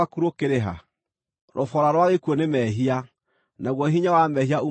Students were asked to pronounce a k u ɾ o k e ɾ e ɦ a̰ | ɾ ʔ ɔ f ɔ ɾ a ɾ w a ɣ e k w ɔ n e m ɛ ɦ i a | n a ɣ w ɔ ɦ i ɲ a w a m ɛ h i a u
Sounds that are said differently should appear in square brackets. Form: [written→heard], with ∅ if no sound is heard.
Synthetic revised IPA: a k u ɾ o k e ɾ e ɦ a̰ | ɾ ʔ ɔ f ɔ ɾ a ɾ w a ɣ e k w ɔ n e m ɛ ɦ i a | n a ɣ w ɔ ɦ i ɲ a w a m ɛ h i a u